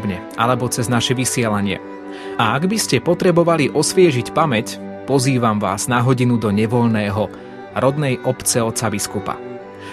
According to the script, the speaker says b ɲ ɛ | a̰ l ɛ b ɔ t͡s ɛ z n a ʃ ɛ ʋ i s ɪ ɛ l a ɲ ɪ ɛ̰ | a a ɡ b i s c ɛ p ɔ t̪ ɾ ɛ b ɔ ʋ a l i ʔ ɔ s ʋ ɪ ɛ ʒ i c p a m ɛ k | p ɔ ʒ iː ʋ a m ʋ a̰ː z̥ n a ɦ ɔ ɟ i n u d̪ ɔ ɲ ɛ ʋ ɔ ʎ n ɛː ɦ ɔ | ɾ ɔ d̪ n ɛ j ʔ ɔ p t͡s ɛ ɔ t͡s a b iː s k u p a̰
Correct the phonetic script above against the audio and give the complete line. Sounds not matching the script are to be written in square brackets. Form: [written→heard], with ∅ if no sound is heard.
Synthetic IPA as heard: b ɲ ɛ | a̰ l ɛ b ɔ t͡s ɛ z n a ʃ ɛ ʋ i s ɪ ɛ l a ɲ ɪ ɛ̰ | a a ɡ b i s c ɛ p ɔ t̪ ɾ ɛ b ɔ ʋ a l i ʔ ɔ s ʋ ɪ ɛ ʒ i c p a m ɛ [k→c] | p ɔ [ʒ→z] iː ʋ a m ʋ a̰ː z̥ n a ɦ ɔ ɟ i n u d̪ ɔ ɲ ɛ ʋ ɔ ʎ n ɛː ɦ ɔ | ɾ ɔ d̪ n ɛ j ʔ ɔ p t͡s ɛ ɔ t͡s a b [iː→i] s k u p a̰